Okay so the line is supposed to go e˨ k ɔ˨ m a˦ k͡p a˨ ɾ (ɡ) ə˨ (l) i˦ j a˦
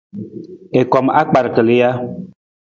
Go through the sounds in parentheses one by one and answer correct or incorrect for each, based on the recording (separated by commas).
incorrect, correct